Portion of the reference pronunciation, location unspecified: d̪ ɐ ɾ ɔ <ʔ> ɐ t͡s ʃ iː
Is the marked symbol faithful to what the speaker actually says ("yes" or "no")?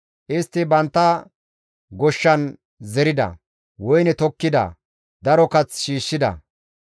no